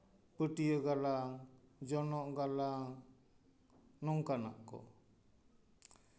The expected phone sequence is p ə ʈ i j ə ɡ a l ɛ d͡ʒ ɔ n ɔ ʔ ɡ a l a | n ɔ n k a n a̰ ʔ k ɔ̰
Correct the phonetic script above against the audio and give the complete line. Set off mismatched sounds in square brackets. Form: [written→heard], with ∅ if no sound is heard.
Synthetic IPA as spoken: p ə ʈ i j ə ɡ a l [ɛ→a] d͡ʒ ɔ n ɔ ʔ ɡ a l a | n ɔ [n→ŋ] k a n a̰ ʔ k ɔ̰